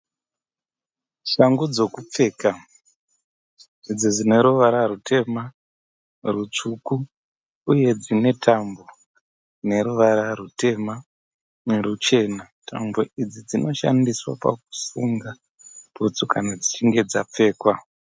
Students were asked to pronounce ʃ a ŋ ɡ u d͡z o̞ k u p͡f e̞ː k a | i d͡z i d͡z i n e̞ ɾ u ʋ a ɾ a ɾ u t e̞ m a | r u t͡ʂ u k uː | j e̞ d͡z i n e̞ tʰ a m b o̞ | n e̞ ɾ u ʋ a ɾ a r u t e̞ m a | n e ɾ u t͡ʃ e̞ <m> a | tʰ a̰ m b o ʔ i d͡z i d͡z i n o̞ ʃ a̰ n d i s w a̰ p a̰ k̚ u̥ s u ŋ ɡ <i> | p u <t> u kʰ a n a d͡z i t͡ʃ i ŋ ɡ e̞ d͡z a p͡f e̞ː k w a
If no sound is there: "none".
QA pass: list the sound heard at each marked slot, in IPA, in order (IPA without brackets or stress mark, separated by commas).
n, a, t͡s